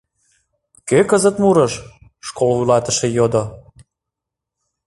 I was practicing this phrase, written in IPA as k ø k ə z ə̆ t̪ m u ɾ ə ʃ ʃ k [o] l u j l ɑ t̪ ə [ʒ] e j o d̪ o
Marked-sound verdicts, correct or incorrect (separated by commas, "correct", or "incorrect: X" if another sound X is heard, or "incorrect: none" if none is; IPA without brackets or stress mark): correct, incorrect: ʃ